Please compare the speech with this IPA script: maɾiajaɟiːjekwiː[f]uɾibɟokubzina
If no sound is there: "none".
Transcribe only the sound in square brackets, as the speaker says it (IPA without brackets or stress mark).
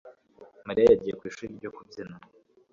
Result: ʃ